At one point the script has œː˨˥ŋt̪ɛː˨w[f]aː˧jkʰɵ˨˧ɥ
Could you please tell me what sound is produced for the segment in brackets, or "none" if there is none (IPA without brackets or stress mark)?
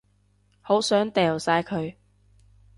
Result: s